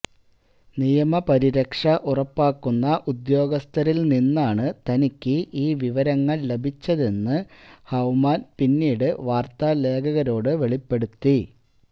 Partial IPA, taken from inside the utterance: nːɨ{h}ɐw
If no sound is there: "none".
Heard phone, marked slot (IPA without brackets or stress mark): h